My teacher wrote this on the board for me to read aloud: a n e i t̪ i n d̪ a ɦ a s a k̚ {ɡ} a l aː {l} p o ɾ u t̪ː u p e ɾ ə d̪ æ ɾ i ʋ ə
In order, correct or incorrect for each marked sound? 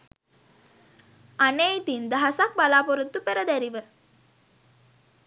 incorrect: b, incorrect: none

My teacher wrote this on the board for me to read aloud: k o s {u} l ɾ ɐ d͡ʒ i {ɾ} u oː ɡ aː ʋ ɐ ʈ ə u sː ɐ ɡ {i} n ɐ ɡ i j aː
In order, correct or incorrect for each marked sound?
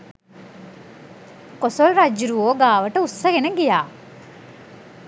incorrect: o, correct, incorrect: e

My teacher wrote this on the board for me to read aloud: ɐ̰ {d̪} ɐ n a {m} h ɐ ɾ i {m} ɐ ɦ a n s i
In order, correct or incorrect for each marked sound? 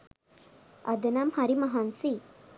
correct, correct, correct

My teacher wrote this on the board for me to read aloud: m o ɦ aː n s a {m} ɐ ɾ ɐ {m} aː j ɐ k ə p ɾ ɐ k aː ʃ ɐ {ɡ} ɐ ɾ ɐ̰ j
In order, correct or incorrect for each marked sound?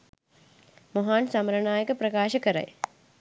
correct, incorrect: ɳ, incorrect: k

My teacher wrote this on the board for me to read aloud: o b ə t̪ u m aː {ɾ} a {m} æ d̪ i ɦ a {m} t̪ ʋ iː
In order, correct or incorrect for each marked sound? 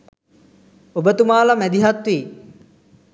incorrect: l, correct, incorrect: none

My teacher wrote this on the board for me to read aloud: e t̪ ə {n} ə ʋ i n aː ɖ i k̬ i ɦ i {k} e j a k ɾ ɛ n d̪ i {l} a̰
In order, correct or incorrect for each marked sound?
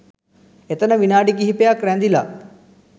correct, incorrect: p, correct

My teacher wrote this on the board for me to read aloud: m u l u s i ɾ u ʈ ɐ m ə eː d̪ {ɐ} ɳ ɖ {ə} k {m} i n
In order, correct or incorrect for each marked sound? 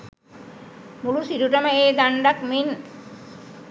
incorrect: a, incorrect: a, correct

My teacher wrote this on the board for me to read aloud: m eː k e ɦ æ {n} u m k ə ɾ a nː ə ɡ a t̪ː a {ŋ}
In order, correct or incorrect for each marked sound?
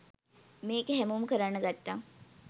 incorrect: m, correct

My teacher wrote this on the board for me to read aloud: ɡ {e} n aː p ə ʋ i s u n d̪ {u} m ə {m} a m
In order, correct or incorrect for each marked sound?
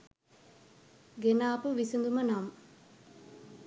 correct, correct, incorrect: n

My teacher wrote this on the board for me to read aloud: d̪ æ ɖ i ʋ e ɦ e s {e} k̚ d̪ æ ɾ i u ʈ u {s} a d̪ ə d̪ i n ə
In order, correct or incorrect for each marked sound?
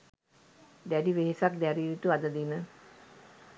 incorrect: a, incorrect: none

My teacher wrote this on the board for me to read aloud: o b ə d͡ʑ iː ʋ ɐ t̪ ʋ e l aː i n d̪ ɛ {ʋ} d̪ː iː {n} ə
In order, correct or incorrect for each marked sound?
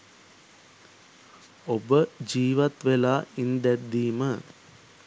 incorrect: none, incorrect: m

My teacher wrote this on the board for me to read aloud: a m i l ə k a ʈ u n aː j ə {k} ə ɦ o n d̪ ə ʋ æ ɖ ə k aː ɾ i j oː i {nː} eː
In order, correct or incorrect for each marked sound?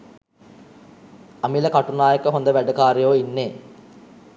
correct, correct

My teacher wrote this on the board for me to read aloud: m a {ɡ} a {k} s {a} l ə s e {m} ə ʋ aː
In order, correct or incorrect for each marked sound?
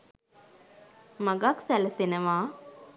correct, correct, incorrect: æ, incorrect: n

